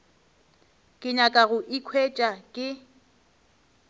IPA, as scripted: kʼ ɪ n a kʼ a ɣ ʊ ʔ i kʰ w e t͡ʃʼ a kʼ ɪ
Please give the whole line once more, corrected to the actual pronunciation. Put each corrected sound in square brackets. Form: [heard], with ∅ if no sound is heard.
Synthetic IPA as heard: kʼ ɪ [ɲ] a kʼ a ɣ ʊ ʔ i kʰ w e t͡ʃʼ a kʼ ɪ